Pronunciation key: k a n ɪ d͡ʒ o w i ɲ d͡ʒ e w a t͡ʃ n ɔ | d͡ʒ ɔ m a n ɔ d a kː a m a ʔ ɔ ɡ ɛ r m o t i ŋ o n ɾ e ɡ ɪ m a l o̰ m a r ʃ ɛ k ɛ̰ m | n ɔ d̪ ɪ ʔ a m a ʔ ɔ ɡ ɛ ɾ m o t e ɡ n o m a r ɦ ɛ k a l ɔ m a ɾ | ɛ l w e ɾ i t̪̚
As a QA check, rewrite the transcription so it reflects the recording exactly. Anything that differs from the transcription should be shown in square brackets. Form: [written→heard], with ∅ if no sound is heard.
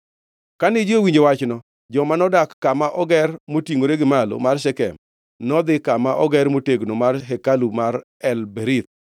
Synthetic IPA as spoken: k a n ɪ d͡ʒ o w i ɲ d͡ʒ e w a t͡ʃ n ɔ | d͡ʒ ɔ m a n ɔ d a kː a m a ʔ ɔ ɡ ɛ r m o t i ŋ o [n→∅] ɾ e ɡ ɪ m a l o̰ m a r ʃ ɛ k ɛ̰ m | n ɔ d̪ ɪ [ʔ→k] a m a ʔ ɔ ɡ ɛ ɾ m o t e ɡ n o m a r ɦ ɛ k a l [ɔ→u] m a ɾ | ɛ l [w→b] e ɾ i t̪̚